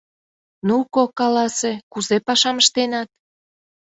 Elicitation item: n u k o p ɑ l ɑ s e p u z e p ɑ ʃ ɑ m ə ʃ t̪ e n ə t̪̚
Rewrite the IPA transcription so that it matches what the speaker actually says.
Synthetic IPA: n u k o k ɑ l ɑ s e k u z e p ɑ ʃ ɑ m ə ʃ t̪ e n ɑ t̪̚